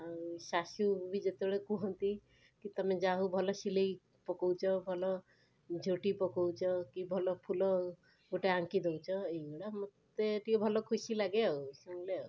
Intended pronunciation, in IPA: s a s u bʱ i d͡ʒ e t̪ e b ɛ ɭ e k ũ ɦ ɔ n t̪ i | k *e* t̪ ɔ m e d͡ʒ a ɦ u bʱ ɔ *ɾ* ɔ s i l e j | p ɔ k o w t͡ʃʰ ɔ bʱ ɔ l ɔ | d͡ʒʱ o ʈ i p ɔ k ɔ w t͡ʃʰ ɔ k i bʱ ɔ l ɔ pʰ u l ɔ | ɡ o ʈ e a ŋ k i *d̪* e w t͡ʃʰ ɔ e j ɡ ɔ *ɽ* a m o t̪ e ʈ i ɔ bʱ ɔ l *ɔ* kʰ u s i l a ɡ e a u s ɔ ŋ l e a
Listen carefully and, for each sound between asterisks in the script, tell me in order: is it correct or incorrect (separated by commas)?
incorrect, incorrect, correct, correct, correct